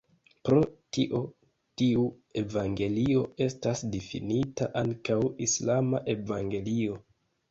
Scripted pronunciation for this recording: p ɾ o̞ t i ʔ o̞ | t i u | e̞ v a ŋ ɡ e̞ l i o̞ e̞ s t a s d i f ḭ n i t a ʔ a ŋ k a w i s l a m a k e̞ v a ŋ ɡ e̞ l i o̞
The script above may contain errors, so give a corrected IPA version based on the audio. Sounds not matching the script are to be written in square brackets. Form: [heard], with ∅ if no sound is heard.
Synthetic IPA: p ɾ o̞ t i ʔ o̞ | t i u | e̞ v a ŋ ɡ e̞ l i o̞ e̞ s t a s d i f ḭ n i t a ʔ a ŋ k a w i s l a m a [ʔ] e̞ v a ŋ ɡ e̞ l i o̞